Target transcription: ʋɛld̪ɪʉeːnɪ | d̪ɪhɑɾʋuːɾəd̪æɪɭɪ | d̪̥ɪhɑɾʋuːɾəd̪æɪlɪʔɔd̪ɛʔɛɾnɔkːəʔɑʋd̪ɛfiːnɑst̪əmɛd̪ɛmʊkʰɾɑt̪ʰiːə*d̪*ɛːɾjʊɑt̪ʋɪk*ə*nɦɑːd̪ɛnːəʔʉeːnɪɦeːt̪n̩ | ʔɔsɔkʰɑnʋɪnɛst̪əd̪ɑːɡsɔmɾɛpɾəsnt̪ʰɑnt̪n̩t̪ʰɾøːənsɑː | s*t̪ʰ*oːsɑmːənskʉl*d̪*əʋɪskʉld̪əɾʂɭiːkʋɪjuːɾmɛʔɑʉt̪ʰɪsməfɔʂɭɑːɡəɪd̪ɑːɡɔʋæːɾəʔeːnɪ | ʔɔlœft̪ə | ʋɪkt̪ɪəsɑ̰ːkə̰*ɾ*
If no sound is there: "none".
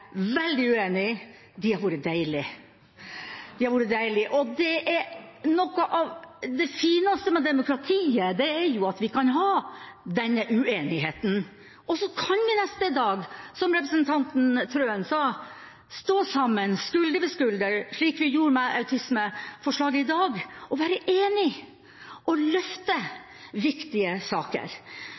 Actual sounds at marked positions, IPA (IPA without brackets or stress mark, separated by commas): d̪, ɑ, t̪, d̪, ɾ